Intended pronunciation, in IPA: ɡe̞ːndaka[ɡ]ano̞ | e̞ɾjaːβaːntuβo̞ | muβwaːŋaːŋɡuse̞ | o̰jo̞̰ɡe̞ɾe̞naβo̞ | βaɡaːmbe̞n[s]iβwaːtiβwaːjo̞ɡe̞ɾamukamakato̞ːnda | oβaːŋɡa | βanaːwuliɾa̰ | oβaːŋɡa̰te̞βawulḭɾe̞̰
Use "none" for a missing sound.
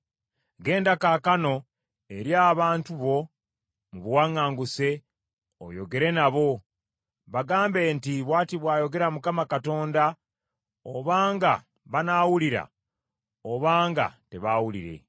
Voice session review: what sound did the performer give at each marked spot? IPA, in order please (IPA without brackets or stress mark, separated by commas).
k, t